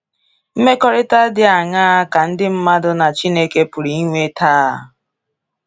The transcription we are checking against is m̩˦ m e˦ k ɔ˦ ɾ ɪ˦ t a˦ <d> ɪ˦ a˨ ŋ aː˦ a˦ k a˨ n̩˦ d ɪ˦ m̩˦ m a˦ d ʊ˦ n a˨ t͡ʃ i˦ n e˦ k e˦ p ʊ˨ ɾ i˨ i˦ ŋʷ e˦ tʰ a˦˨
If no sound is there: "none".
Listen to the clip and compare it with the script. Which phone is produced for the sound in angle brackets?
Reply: d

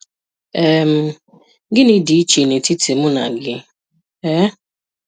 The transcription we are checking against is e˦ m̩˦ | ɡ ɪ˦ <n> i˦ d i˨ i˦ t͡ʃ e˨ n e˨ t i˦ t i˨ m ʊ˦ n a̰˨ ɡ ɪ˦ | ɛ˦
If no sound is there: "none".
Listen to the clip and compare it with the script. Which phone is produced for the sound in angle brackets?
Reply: n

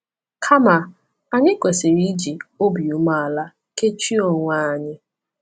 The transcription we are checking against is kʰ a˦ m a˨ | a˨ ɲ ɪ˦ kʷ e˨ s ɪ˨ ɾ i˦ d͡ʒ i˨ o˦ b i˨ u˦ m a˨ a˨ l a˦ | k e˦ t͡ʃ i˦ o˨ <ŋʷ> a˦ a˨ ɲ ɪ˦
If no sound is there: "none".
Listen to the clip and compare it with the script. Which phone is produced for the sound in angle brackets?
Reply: ŋʷ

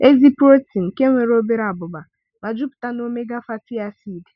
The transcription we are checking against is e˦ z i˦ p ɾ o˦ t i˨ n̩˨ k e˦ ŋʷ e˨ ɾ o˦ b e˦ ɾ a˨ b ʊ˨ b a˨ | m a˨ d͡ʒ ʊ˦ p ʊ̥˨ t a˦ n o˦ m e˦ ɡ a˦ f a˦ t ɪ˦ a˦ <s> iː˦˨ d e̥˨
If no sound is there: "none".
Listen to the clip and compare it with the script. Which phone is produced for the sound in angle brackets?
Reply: s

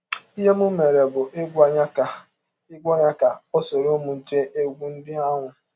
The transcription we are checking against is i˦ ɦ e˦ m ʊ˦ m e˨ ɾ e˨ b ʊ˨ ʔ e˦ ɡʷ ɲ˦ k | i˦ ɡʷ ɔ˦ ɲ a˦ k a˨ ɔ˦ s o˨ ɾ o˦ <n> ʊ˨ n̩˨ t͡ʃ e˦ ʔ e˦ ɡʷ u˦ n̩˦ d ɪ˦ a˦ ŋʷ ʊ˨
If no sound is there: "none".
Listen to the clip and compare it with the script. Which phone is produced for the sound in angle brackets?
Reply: m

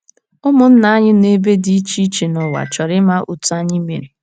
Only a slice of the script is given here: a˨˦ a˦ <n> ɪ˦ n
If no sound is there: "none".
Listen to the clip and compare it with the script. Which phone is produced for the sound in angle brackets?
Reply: ɲ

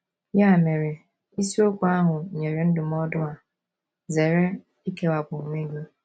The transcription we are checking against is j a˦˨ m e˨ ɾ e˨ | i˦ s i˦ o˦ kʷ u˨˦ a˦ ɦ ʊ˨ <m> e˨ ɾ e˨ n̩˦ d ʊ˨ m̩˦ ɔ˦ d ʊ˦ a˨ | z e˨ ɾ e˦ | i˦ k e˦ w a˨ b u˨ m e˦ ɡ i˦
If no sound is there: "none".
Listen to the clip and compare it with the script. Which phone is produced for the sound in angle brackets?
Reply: ɲ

